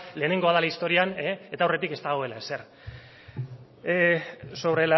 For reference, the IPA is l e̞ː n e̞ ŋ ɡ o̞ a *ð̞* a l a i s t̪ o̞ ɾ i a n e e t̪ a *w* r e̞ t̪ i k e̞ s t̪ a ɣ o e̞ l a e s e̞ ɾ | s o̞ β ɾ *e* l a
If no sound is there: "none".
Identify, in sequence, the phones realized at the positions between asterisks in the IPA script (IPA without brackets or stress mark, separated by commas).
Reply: ð̞, w, e